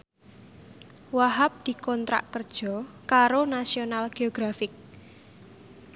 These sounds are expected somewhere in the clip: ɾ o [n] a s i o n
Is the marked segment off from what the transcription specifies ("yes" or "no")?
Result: no